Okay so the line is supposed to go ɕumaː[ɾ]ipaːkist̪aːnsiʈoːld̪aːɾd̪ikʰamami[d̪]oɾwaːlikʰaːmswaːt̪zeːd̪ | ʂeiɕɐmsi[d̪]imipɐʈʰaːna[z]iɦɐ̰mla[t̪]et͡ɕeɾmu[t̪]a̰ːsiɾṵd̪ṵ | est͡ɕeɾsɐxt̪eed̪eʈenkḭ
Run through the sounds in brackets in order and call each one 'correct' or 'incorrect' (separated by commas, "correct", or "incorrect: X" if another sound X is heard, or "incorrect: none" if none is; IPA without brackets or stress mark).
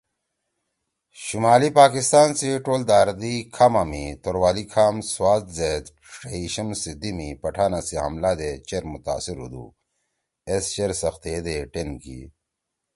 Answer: incorrect: l, incorrect: t̪, correct, incorrect: s, incorrect: d̪, correct